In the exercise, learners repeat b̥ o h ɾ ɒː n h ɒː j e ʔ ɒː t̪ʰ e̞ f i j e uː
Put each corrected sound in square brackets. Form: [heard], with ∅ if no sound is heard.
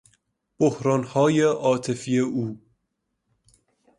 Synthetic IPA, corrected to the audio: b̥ o h ɾ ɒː n h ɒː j e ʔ ɒː t̪ʰ e̞ f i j e uː

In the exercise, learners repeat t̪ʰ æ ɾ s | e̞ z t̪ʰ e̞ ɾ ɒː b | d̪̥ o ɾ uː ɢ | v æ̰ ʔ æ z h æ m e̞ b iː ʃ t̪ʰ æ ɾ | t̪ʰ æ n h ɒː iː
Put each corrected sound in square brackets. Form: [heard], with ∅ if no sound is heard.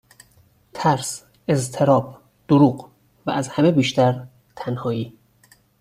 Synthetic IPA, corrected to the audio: t̪ʰ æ ɾ s | e̞ z t̪ʰ e̞ ɾ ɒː b | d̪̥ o ɾ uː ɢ | v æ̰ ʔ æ z h æ m e̞ b iː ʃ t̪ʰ æ ɾ | t̪ʰ æ n h ɒː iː

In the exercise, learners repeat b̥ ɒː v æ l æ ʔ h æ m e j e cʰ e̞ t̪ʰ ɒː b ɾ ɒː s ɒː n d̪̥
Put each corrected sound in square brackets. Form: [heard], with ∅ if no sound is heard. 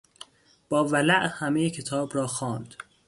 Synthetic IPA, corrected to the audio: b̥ ɒː v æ l æ ʔ h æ m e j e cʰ e̞ t̪ʰ ɒː b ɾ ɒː [x] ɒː n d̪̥

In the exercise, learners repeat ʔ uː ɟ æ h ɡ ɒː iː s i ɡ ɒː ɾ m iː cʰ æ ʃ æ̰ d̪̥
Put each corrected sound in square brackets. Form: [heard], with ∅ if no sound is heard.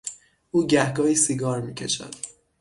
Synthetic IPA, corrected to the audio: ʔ uː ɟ æ h ɡ ɒː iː s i ɡ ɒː ɾ m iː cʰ [e] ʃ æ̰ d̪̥

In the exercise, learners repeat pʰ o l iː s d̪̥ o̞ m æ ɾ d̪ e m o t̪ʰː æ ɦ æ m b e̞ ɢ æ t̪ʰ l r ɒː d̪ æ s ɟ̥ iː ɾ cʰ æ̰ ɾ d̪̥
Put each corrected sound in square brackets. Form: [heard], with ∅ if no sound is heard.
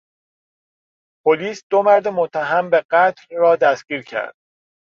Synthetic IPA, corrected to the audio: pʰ o l iː s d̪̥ o̞ m æ ɾ d̪ e m o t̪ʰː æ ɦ æ m b e̞ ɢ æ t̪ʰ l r ɒː d̪ æ s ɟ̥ iː ɾ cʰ æ̰ ɾ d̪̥

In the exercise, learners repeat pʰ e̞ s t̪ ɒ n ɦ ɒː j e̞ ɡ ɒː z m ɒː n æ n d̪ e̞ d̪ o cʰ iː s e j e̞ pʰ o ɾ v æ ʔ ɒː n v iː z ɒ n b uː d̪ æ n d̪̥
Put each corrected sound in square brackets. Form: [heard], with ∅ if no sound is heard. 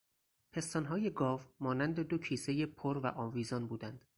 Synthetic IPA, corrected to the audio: pʰ e̞ s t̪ ɒ n ɦ ɒː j e̞ ɡ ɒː [v] m ɒː n æ n d̪ e̞ d̪ o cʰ iː s e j e̞ pʰ o ɾ v æ ʔ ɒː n v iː z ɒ n b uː d̪ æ n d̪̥

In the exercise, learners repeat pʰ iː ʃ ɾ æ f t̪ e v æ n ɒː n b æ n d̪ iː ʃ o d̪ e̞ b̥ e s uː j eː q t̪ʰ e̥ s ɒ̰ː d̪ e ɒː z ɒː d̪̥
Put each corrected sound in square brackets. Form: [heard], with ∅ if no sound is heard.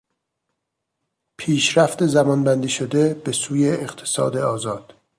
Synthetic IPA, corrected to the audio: pʰ iː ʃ ɾ æ f t̪ e [z] æ [m] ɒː n b æ n d̪ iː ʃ o d̪ e̞ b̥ e s uː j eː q t̪ʰ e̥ s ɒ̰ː d̪ e ɒː z ɒː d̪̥

